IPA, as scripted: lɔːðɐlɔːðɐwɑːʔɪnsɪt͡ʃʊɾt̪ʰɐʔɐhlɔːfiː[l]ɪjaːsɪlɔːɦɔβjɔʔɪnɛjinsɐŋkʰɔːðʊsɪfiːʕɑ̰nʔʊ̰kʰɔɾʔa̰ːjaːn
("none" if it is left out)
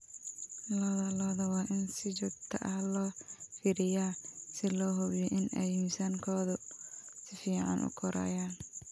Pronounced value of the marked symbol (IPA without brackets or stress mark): ɾ